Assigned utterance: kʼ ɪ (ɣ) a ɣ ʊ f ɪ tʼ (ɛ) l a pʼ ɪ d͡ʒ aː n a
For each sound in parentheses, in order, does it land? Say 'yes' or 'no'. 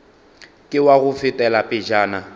no, yes

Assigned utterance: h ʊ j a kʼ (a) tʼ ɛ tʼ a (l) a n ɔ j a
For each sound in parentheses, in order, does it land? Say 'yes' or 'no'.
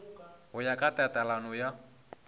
yes, yes

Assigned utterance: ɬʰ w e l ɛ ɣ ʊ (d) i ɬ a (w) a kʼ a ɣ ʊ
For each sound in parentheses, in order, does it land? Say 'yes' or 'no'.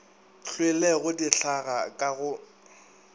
yes, no

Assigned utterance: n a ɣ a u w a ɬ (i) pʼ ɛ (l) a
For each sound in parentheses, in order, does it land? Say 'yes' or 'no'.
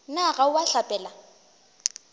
no, yes

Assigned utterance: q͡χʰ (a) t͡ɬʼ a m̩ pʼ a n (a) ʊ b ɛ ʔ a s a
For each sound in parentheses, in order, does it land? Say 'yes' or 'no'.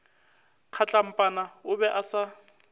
yes, yes

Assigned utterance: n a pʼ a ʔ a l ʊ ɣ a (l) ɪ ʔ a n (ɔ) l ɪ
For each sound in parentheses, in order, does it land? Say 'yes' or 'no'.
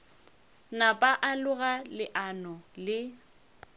yes, yes

